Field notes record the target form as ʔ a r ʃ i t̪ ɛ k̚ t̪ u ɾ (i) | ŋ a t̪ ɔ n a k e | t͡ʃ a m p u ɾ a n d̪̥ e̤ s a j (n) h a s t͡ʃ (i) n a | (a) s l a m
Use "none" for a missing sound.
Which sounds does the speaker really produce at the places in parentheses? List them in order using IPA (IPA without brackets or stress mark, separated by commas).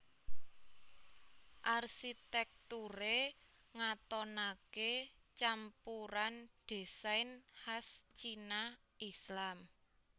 e, n, i, i